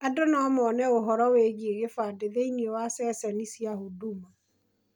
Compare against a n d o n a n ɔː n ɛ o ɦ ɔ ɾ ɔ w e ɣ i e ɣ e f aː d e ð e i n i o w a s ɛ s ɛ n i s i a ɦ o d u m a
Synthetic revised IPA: a d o n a m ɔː n ɛ o ɦ ɔ ɾ ɔ w e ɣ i e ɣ e f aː d e ð e i n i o w a s ɛ s ɛ n i s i a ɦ o d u m a